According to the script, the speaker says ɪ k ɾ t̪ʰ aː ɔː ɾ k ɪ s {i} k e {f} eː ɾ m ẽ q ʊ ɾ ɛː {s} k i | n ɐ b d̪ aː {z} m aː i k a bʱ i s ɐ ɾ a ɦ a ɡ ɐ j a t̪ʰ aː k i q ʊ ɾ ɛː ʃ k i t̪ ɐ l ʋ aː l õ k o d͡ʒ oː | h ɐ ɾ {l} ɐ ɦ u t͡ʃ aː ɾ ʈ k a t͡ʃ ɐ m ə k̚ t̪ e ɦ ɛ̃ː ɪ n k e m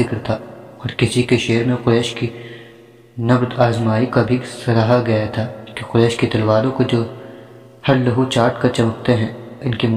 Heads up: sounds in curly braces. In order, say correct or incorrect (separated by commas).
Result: correct, incorrect, incorrect, correct, correct